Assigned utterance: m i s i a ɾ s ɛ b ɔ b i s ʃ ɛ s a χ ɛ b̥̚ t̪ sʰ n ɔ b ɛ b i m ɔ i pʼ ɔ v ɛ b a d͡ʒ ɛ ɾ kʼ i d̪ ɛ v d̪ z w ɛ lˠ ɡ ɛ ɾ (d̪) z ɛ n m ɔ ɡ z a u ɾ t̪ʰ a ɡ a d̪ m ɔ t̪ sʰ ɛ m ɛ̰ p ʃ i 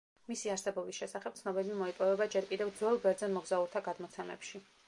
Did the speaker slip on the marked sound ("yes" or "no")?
no